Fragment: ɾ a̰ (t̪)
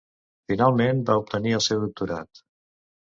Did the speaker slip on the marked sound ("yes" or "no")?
no